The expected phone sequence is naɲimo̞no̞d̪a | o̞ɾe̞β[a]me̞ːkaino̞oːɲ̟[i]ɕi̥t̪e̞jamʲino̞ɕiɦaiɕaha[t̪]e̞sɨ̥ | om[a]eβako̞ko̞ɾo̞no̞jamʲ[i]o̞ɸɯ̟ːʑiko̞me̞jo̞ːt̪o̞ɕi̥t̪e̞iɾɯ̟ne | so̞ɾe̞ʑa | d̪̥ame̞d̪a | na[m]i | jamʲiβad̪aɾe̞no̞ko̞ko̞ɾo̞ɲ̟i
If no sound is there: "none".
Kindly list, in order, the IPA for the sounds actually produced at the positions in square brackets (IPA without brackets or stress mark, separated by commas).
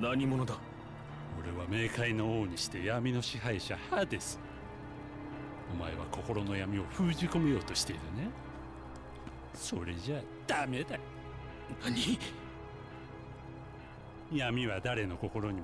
a, i, d̪, a, i, ɲ